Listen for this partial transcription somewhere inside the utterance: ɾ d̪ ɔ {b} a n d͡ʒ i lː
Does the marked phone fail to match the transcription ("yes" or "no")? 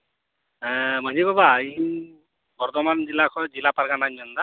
yes